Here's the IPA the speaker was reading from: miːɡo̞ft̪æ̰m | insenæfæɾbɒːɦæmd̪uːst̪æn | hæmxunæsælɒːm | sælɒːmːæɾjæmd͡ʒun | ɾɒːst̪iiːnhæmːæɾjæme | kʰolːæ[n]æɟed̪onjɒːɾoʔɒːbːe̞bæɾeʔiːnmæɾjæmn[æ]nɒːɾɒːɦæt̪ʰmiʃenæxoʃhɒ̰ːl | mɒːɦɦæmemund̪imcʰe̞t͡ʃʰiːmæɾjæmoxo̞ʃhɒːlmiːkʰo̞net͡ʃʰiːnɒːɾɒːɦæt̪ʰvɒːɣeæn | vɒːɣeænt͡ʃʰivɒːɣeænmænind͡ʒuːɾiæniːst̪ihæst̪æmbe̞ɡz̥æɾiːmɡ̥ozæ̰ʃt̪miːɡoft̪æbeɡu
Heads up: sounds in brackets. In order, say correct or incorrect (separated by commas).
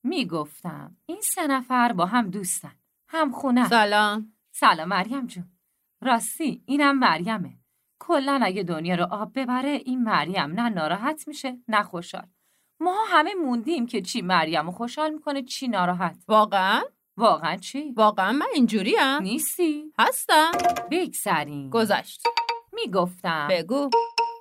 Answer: correct, correct